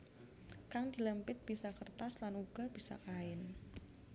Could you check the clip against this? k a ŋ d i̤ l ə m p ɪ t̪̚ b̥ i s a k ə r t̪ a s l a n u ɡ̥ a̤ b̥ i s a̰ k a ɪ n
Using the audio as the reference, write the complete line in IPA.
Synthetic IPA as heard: k a ŋ d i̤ l ə m p ɪ t̪̚ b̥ i s a k ə r t̪ a s l a n u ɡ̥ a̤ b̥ i s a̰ k a ɪ n